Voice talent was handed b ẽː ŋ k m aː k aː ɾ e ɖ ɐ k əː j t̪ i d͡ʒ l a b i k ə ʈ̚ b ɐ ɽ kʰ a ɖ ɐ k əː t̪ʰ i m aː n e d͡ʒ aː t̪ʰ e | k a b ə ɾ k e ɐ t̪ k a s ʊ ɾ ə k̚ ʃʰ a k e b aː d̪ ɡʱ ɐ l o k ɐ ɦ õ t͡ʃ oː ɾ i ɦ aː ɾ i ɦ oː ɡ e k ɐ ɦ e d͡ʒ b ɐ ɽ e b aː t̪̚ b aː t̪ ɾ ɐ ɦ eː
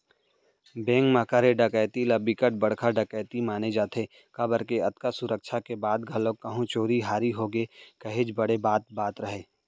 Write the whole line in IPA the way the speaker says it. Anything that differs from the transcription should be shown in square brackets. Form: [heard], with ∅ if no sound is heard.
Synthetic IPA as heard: b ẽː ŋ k m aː k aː ɾ e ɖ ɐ k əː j t̪ i [∅] l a b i k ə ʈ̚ b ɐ ɽ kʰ a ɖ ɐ k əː [t̪] i m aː n e d͡ʒ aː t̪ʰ e | k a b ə ɾ k e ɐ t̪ k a s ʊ ɾ ə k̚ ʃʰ a k e b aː d̪ ɡʱ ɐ l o k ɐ ɦ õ t͡ʃ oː ɾ i ɦ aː ɾ i ɦ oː ɡ e k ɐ ɦ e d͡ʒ b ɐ ɽ e b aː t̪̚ b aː t̪ ɾ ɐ ɦ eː